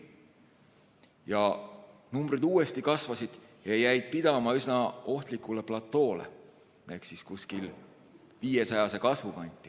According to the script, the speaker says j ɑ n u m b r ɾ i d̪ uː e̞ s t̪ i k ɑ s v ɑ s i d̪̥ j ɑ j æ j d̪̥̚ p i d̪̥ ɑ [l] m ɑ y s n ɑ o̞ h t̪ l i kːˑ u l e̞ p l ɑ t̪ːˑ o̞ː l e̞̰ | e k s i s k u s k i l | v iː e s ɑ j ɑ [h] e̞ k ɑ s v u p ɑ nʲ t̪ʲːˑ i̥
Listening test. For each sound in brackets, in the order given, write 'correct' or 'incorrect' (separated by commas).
incorrect, incorrect